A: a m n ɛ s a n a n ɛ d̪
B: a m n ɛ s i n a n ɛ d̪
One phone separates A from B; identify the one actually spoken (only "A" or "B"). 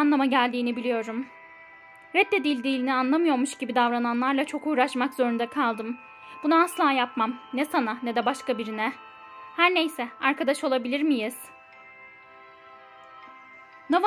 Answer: A